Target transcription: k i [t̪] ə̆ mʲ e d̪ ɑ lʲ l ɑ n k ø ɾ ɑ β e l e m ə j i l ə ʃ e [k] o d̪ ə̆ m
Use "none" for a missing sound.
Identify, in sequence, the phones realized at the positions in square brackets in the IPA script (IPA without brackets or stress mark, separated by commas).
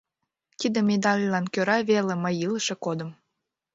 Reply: d̪, k